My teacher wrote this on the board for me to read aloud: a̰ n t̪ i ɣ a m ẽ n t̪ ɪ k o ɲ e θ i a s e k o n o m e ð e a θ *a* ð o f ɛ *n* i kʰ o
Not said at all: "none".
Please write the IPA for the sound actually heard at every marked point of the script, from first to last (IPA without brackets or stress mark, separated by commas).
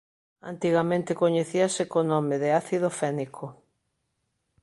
i, n